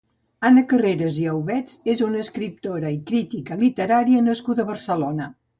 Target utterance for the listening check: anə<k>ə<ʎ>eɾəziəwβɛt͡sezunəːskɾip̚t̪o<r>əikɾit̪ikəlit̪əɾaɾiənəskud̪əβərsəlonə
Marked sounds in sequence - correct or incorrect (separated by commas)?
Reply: correct, incorrect, incorrect